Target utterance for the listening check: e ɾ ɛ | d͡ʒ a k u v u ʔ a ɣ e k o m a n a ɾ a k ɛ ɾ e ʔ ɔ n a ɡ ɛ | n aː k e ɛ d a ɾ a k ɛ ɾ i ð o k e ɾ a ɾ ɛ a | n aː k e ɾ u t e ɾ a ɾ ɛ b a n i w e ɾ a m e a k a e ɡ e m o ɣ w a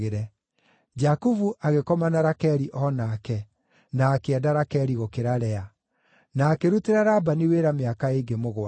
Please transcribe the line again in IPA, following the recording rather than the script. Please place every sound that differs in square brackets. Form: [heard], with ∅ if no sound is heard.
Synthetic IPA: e ɾ ɛ | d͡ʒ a k u v u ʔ a ɣ e k [ɔ] m a n a ɾ a k ɛ ɾ [i] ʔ ɔ n a [k] ɛ | n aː k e ɛ d a ɾ a k ɛ ɾ i [ɣ] o k e ɾ a ɾ ɛ a | n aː k e ɾ u t e ɾ a ɾ [a] b a n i w e ɾ a m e a k a e ɡ e m o ɣ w a

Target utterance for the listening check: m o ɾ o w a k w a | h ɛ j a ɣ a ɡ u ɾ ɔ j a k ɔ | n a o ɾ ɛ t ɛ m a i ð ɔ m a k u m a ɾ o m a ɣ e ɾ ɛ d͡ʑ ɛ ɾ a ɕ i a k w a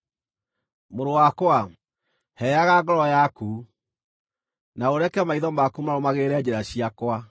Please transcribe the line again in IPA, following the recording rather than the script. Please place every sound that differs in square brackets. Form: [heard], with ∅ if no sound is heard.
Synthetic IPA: m o ɾ o w a k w a | h ɛ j a ɣ a ɡ [ɔ] ɾ ɔ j a k [u] | n a o ɾ ɛ [k] ɛ m a i ð ɔ m a k u m a ɾ o m a ɣ e ɾ ɛ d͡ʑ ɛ ɾ a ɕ i a k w a

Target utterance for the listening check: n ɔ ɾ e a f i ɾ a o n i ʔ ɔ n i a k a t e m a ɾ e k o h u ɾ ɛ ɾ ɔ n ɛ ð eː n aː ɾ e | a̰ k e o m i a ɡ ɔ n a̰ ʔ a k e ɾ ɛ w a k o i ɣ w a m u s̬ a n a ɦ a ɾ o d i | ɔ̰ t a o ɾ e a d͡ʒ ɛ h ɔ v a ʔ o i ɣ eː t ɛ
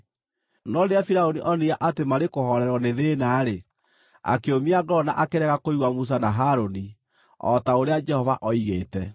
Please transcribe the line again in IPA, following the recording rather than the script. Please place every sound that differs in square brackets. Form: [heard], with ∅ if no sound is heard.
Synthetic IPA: n ɔ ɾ e a f i ɾ a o n i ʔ ɔ n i a [ʔ] a t e m a ɾ e k o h [ɔ] ɾ ɛ ɾ ɔ n [e] ð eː n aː ɾ e | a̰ k e o m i a ɡ ɔ n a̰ ʔ a k e ɾ ɛ [ɣ] a k o i ɣ w a m u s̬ a n a ɦ a ɾ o [n] i | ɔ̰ t a o ɾ e a d͡ʒ ɛ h ɔ v a ʔ [ɔ] i ɣ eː t ɛ

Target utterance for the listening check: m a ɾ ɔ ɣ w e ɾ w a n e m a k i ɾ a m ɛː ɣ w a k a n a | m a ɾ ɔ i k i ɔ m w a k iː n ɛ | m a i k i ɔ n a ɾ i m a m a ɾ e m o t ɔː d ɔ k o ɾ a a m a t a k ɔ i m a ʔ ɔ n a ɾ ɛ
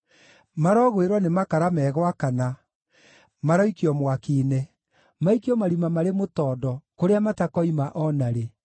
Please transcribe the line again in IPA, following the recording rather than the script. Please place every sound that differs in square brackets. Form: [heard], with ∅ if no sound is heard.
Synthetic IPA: m a ɾ ɔ ɣ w e ɾ w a n e m a k [a] ɾ a m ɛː ɣ w a k a n a | m a ɾ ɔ i k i ɔ m w a k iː n ɛ | m a i k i ɔ [m] a ɾ i m a m a ɾ e m o t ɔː d ɔ k o ɾ [e] a m a t a k ɔ i m a ʔ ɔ n a ɾ [e]

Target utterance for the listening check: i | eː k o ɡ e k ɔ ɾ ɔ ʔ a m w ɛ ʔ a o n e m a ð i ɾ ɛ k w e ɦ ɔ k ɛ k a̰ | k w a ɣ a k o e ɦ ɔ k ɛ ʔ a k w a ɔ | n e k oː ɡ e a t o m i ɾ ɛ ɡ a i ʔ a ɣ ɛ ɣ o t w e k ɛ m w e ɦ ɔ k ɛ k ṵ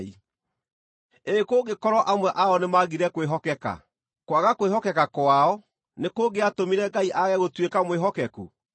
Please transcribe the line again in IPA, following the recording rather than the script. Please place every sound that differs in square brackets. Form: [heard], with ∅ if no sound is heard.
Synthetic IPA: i | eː k o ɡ e k ɔ ɾ ɔ ʔ a m w ɛ ʔ a [ɔ] n e m a [ɣ] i ɾ ɛ k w e ɦ ɔ k ɛ k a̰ | k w a ɣ a k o e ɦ ɔ k ɛ [k] a k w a ɔ | n e k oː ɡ e a t o m i ɾ ɛ ɡ a i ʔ a ɣ ɛ ɣ o t w e k [a] m w e ɦ ɔ k ɛ k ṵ

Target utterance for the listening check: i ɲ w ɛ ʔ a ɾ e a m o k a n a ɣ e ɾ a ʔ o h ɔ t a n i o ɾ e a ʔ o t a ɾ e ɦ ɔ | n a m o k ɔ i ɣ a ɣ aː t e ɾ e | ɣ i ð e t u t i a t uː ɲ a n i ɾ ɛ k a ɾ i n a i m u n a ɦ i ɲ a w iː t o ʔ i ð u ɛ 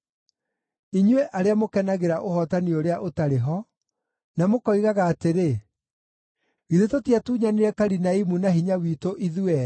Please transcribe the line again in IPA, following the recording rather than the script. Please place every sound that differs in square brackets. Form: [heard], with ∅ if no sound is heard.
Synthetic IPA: i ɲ w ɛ ʔ a ɾ e a m o k [ɛ] n a ɣ e ɾ a ʔ o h ɔ t a n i o ɾ e a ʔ o t a ɾ e ɦ ɔ | n a m o k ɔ i ɣ a ɣ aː t e ɾ e | ɣ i ð e t [o] t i a t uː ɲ a n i ɾ ɛ k a ɾ i n a i m u n a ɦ i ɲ a w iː t o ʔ i ð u ɛ

